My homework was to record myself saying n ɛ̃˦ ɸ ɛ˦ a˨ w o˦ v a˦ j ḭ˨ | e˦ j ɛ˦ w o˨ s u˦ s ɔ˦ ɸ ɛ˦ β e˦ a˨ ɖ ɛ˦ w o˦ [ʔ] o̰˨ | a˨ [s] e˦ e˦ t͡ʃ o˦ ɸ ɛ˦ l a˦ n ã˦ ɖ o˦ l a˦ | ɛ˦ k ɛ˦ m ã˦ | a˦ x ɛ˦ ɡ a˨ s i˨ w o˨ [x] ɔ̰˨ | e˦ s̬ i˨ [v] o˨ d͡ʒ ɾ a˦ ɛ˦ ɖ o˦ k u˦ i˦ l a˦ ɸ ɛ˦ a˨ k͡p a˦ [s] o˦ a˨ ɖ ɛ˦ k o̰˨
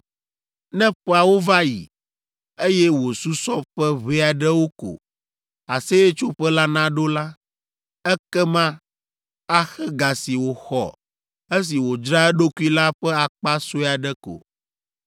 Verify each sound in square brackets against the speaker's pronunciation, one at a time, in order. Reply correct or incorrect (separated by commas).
incorrect, correct, correct, incorrect, correct